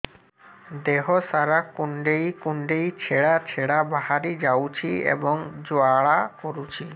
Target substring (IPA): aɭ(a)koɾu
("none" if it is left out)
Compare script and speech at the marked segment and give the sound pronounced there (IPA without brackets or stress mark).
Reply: a